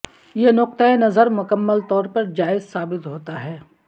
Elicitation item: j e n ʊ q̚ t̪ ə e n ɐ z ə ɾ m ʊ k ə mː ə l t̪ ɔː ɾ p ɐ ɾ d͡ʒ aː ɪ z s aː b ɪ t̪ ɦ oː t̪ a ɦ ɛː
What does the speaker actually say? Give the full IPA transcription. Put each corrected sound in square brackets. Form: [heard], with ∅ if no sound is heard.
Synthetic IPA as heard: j e n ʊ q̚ t̪ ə e n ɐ z ə ɾ m ʊ k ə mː ə l t̪ ɔː ɾ p ɐ ɾ d͡ʒ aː ɪ z s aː b ɪ t̪ ɦ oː t̪ a ɦ ɛː